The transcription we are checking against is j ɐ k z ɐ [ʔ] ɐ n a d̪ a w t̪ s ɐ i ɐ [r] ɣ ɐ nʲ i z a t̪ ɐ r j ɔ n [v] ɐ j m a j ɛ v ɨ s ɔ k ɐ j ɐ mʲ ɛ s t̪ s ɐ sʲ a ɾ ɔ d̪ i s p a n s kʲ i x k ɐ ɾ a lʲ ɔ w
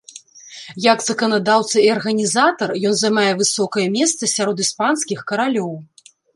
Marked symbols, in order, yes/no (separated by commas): no, yes, no